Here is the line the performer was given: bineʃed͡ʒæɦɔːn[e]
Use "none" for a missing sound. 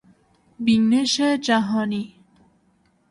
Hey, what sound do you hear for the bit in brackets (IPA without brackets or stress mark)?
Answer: i